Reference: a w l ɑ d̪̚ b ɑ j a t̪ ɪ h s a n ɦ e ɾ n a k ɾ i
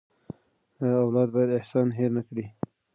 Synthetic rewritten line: a w l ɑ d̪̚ b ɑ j a d̪ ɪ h s ɑ n ɦ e ɾ n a k ɽ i